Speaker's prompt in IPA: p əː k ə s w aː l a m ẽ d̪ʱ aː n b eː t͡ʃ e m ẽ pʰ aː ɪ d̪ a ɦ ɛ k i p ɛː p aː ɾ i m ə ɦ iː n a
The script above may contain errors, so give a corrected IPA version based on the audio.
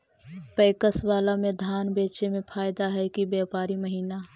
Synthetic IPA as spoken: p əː k ə s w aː l a m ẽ d̪ʱ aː n b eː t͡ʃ e m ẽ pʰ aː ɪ d̪ a ɦ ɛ k i b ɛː p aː ɾ i m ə ɦ iː n a

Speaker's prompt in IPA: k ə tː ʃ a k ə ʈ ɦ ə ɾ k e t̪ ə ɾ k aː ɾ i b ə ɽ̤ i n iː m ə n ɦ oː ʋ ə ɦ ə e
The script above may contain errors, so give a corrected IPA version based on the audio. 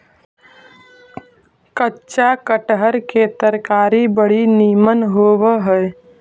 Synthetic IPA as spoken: k ə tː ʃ a k ə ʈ ɦ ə ɾ k e t̪ ə ɾ k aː ɾ i b ə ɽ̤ i n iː m ə n ɦ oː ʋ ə ɦ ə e

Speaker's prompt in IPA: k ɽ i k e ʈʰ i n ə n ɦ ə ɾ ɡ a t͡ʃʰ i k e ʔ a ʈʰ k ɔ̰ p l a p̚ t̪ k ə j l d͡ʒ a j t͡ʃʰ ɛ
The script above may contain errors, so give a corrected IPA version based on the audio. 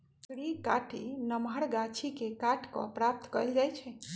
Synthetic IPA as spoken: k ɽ i k a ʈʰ i n ə m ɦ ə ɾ ɡ a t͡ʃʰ i k e k a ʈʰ k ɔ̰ p ɾ a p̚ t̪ k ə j l d͡ʒ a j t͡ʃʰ ɛ

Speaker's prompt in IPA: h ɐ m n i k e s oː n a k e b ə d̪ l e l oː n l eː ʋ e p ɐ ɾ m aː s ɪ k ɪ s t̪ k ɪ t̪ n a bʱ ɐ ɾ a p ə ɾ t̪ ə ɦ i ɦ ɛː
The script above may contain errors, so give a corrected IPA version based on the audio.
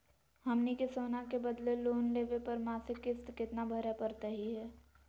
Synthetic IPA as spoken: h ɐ m n i k e s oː n a k e b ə d̪ l e l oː n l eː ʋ e p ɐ ɾ m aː s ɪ k ɪ s t̪ k ɪ t̪ n a bʱ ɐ ɾ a p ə ɾ t̪ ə ɦ i ɦ ɛː

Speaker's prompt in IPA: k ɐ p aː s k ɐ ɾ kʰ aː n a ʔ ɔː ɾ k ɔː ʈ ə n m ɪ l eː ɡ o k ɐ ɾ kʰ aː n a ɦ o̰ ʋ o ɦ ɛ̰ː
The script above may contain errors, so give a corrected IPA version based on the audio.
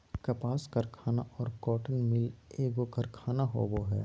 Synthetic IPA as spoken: k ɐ p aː s k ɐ ɾ kʰ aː n a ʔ ɔː ɾ k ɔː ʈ ə n m ɪ l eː ɡ o k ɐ ɾ kʰ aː n a ɦ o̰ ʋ o ɦ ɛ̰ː

